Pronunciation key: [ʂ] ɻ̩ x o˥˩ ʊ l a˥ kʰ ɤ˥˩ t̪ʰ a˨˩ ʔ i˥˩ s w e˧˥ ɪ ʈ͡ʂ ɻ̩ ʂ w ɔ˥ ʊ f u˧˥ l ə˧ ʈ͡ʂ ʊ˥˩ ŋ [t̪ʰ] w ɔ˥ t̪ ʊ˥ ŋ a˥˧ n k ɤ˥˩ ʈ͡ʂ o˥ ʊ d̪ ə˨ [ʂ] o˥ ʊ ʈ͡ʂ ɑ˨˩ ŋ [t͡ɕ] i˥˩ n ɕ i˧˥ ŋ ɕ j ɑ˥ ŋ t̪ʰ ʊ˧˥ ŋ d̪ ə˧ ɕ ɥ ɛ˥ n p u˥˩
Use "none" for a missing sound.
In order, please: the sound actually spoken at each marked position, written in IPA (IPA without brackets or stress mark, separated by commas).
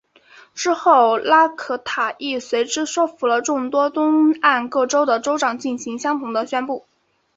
ʈ͡ʂ, t̪, ʈ͡ʂ, t͡ɕ